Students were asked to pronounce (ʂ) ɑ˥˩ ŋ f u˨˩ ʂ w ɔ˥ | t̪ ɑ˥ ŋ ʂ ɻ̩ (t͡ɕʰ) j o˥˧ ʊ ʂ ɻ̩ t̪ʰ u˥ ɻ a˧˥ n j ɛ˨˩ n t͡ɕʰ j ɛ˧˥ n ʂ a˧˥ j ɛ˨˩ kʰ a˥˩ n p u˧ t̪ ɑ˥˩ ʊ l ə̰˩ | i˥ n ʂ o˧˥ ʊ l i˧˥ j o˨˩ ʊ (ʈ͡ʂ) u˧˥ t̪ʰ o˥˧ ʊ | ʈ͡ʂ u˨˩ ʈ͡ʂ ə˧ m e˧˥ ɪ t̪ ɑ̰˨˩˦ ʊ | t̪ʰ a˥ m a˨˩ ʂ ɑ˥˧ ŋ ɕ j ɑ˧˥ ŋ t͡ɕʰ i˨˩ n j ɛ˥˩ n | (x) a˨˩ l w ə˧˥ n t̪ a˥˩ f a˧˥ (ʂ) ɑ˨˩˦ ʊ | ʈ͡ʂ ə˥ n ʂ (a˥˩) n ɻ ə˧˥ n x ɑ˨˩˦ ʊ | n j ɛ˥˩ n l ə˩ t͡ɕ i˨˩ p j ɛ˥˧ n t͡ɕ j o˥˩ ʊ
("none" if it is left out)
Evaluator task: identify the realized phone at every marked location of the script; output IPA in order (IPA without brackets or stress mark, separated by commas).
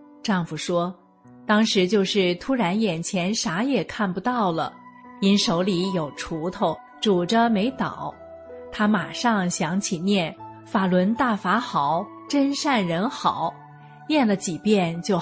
ʈ͡ʂ, t͡ɕ, ʈ͡ʂʰ, f, x, a˥˩